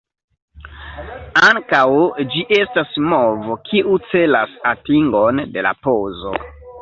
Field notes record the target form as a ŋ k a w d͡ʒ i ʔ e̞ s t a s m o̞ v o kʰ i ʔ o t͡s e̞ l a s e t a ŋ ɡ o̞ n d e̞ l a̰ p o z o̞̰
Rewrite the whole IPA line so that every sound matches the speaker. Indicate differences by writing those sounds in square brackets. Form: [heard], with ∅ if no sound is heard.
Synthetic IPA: a ŋ k a w d͡ʒ i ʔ e̞ s t a s m o̞ v o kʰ i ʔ [u] t͡s e̞ l a s [a] t [i] ŋ ɡ o̞ n d e̞ l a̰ p o z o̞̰